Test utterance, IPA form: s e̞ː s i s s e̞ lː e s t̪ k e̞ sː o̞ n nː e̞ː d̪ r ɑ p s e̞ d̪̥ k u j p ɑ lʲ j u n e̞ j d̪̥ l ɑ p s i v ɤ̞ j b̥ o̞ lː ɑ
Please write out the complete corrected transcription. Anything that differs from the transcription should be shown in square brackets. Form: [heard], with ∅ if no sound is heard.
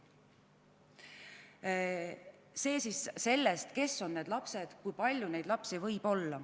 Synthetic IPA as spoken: s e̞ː s i s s e̞ lː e s t̪ k e̞ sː o̞ n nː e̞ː d̪ [l] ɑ p s e̞ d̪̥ k u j p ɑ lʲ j u n e̞ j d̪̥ l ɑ p s i v ɤ̞ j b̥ o̞ lː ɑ